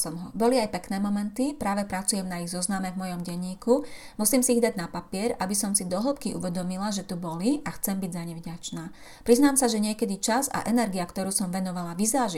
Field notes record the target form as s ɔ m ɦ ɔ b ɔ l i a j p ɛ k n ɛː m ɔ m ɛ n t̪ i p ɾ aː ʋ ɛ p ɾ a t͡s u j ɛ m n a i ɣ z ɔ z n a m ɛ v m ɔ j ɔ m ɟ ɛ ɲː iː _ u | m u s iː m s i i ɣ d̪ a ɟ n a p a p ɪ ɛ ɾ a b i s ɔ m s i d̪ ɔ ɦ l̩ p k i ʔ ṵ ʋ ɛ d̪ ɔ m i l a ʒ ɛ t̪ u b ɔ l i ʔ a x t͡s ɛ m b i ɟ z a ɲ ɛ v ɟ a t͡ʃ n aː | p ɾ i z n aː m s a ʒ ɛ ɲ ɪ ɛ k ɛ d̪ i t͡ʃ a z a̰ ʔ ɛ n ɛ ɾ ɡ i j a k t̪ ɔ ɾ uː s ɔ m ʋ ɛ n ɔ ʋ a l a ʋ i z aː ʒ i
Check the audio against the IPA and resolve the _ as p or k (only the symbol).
k